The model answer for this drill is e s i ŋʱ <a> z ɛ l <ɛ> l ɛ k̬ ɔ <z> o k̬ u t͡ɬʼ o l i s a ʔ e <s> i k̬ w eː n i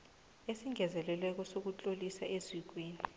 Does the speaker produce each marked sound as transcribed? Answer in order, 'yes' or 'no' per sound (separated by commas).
no, yes, no, no